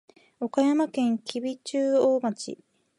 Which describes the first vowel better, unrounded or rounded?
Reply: rounded